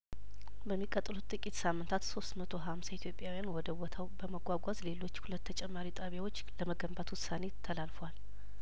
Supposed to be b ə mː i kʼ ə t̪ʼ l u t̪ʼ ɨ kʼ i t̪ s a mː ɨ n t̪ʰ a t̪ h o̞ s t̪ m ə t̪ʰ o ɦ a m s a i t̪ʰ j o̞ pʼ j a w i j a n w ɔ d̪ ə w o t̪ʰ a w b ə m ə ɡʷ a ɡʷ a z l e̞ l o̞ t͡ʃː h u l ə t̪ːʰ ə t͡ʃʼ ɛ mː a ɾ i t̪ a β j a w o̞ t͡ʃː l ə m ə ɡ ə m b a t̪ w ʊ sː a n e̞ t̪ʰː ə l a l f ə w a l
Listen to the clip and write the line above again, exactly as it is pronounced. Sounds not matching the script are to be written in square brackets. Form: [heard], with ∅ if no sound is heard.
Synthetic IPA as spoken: b ə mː i kʼ ə t̪ʼ l u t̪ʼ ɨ kʼ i t̪ s a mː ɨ n t̪ʰ a t̪ [s] o̞ s t̪ m ə t̪ʰ o ɦ a m s a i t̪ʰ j o̞ pʼ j a w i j a n w ɔ d̪ ə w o t̪ʰ a w b ə m ə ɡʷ a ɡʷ a z l e̞ l o̞ t͡ʃː h u l ə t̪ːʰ ə t͡ʃʼ ɛ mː a ɾ i [t̪ʼ] a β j a w o̞ t͡ʃː l ə m ə ɡ ə m b a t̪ w ʊ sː a n e̞ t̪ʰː ə l a l f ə w a l